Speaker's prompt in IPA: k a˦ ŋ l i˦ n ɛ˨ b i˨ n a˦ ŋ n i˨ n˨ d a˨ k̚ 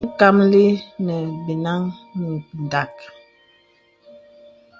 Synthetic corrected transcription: k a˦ m l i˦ n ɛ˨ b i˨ n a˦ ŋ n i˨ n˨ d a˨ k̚